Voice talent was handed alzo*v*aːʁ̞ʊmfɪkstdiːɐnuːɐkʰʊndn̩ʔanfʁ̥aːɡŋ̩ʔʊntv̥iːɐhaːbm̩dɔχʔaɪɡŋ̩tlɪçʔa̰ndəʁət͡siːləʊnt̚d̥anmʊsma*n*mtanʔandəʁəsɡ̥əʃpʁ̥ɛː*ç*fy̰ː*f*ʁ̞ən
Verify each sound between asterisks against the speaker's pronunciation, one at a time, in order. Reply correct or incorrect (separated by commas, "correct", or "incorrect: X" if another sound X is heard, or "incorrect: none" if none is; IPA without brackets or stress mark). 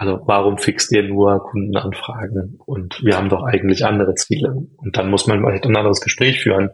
correct, correct, correct, incorrect: none